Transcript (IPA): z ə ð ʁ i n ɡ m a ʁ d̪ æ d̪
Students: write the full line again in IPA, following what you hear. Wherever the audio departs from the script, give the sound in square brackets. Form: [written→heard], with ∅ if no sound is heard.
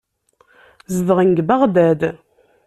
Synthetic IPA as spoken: z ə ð ʁ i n ɡ [m→b] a ʁ d̪ æ d̪